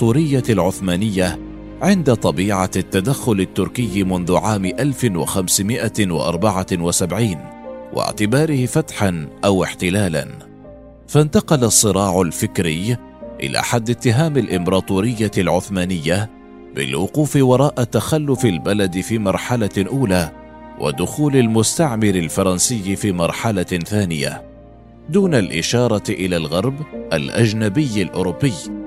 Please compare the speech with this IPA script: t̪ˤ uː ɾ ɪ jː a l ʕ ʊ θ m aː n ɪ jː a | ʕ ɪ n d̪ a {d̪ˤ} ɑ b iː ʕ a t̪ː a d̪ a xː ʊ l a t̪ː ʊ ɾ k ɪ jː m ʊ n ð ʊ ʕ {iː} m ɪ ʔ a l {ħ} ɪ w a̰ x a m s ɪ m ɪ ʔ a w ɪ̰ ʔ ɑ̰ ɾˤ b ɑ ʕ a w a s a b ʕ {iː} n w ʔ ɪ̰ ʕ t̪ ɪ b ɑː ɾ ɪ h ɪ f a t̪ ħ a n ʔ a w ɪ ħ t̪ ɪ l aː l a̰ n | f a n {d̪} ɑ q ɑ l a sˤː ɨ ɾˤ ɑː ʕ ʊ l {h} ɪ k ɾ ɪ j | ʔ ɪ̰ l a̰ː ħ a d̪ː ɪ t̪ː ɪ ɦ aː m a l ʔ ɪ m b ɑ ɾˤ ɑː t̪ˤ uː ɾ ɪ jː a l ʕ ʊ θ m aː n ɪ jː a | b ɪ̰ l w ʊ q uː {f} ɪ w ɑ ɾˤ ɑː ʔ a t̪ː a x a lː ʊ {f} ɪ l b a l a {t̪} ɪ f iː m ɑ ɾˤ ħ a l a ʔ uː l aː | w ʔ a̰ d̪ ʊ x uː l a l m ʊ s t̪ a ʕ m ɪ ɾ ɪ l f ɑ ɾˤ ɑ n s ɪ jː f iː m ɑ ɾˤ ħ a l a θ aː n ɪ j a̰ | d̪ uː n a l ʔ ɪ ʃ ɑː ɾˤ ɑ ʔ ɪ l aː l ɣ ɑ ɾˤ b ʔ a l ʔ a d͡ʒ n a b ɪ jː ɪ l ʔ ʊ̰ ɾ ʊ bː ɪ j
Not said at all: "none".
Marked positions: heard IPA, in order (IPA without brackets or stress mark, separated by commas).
t̪ˤ, aː, f, iː, t̪, f, f, f, d̪